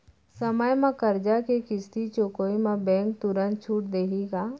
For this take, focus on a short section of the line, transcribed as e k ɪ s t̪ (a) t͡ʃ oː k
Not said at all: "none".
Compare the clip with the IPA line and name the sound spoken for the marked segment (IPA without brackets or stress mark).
i